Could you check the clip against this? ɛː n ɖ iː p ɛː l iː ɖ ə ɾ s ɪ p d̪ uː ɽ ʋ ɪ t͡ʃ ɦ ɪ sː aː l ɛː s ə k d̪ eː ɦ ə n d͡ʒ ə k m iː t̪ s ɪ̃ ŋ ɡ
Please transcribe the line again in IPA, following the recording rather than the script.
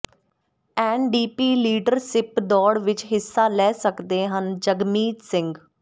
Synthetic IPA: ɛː n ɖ iː p iː l iː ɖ ə ɾ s ɪ p d̪ ɔː ɽ ʋ ɪ t͡ʃ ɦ ɪ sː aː l ɛː s ə k d̪ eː ɦ ə n d͡ʒ ə ɡ m iː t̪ s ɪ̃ ŋ ɡ